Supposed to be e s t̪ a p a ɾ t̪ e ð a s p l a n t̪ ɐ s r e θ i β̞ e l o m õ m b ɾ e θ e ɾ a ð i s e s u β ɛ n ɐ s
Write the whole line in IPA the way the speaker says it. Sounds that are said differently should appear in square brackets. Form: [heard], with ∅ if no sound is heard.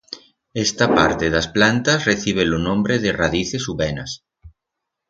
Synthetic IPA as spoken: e s t̪ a p a ɾ t̪ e ð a s p l a n t̪ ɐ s r e θ i β̞ e l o [n] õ m b ɾ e [ð] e [r] a ð i [θ] e s u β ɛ n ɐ s